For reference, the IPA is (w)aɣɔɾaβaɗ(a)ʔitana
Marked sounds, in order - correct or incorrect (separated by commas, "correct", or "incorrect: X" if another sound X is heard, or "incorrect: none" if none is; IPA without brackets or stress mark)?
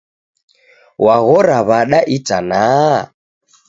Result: correct, correct